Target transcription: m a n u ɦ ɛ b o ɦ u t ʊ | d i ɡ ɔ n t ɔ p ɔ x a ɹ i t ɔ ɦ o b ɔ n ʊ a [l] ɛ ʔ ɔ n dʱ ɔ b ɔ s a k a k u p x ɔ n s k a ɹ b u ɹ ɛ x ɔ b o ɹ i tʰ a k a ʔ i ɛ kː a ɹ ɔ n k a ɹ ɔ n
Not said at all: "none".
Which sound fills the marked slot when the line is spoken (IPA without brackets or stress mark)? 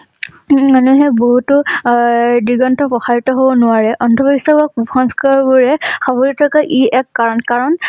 ɹ